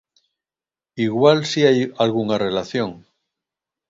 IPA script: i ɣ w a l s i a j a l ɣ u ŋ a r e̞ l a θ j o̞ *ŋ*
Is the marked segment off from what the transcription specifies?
no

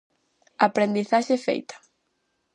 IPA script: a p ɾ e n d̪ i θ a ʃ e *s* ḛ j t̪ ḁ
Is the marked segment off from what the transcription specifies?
yes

